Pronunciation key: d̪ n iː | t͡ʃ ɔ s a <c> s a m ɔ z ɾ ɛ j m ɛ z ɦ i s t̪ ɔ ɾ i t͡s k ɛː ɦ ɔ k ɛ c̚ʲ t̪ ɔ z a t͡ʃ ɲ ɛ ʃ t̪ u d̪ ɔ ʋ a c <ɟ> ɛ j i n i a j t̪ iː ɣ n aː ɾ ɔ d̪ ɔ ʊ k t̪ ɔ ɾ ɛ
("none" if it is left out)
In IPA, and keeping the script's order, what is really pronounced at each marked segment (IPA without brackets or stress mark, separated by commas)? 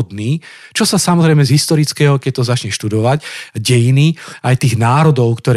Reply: none, ɟ